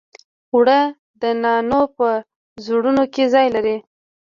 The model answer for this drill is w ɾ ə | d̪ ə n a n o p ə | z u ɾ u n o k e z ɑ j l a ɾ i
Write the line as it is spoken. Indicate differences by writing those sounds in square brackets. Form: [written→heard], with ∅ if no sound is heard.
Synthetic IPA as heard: w [ɾ→ɽ] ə | d̪ ə n [a→ɑ] n o p ə | z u [ɾ→ɽ] u n o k e z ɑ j l a ɾ i